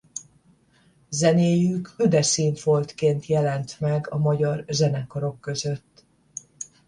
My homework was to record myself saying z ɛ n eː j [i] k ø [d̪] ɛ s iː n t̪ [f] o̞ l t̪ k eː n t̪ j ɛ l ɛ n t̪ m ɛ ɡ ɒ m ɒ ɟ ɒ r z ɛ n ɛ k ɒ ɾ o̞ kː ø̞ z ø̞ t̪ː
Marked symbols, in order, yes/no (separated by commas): no, yes, yes